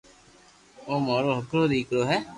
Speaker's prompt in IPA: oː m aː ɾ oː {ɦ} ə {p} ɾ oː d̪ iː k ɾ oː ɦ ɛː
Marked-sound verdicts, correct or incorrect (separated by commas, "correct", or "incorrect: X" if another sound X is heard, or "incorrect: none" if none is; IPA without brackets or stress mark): correct, incorrect: k